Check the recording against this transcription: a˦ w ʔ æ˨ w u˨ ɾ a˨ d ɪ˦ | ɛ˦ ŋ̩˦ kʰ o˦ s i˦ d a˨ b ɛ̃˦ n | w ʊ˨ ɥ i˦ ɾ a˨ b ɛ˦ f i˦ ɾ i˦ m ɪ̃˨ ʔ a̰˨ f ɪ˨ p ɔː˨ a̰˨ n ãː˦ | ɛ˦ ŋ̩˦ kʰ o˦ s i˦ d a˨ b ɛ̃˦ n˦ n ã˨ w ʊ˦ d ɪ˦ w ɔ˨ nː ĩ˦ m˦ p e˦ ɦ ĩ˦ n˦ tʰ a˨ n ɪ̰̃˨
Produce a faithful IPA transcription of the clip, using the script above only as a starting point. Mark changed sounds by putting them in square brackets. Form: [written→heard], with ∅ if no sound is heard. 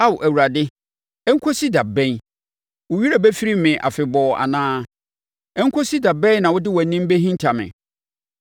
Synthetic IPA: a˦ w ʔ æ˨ w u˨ ɾ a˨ d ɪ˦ | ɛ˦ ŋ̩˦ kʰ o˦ s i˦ d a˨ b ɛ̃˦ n | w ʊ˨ ɥ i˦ ɾ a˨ b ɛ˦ f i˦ ɾ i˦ m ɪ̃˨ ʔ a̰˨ f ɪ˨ [p→b] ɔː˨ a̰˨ n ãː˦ | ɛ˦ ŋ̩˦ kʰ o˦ s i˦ d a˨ b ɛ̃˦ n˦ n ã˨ w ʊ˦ d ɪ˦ w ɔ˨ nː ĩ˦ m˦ [p→b] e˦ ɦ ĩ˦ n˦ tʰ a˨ [n→m] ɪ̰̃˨